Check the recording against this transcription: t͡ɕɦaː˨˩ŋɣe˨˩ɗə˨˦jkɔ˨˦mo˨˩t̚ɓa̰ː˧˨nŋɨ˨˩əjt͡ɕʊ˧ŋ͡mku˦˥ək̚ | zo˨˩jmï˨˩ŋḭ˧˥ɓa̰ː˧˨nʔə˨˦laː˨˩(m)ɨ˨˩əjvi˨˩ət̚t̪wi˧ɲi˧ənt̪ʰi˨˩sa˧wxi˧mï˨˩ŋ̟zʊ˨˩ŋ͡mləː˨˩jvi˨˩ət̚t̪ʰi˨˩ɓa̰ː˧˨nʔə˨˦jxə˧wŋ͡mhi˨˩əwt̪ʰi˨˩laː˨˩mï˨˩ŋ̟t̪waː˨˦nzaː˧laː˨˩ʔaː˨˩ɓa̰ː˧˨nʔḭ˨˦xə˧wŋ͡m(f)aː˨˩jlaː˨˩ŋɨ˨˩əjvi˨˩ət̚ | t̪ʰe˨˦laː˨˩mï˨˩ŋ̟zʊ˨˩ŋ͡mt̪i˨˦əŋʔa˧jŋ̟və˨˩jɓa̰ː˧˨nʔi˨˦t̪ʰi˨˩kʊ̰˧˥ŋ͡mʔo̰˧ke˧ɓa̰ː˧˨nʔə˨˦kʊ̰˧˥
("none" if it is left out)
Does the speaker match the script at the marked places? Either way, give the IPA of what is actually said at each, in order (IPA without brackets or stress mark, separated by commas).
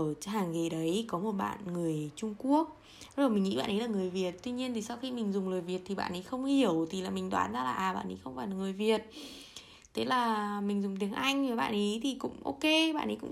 ŋ, f